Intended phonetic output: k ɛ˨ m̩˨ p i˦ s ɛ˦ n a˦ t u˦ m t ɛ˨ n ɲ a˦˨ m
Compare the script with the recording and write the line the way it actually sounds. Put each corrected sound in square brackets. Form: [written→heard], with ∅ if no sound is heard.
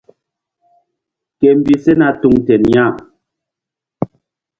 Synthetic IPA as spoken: k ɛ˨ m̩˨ [p→b] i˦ s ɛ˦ n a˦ t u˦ [m→ŋ] t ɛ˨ n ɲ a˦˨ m